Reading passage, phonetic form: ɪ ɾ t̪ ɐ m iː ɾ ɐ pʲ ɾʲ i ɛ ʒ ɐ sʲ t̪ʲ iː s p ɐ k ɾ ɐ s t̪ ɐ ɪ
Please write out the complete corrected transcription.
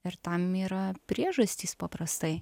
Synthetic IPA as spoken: ɪ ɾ t̪ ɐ m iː ɾ ɐ pʲ ɾʲ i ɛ ʒ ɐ sʲ t̪ʲ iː s p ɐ p ɾ ɐ s t̪ ɐ ɪ